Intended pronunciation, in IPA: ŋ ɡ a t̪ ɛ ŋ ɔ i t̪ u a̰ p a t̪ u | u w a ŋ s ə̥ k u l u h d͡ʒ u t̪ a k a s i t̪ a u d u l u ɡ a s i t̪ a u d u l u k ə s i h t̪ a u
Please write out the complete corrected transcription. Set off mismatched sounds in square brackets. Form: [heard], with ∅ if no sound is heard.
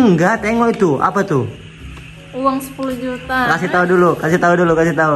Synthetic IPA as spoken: ŋ ɡ a t̪ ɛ ŋ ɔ i t̪ u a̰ p a t̪ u | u w a ŋ s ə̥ [p] u l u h d͡ʒ u t̪ a k a s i t̪ a u d u l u [k] a s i t̪ a u d u l u k [a] s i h t̪ a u